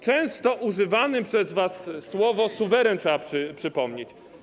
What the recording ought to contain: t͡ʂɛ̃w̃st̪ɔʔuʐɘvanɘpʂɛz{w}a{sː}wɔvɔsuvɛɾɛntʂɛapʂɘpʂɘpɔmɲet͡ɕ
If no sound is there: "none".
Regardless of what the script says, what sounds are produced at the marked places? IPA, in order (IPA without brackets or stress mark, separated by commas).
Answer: v, sː